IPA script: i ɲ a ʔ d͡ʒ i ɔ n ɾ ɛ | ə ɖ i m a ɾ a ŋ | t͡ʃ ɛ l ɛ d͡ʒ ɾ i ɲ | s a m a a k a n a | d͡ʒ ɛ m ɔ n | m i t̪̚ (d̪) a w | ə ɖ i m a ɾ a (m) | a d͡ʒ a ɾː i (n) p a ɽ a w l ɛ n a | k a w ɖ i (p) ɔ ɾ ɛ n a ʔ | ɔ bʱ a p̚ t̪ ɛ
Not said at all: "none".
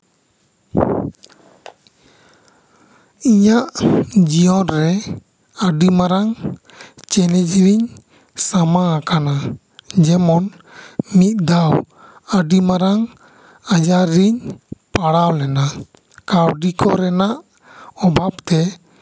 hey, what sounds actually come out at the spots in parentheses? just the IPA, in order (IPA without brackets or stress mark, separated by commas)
d̪, ŋ, ɲ, k